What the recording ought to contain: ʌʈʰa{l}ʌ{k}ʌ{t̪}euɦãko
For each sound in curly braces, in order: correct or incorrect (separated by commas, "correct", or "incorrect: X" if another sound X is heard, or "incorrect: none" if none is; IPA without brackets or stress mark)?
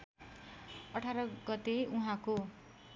incorrect: ɾ, incorrect: ɡ, correct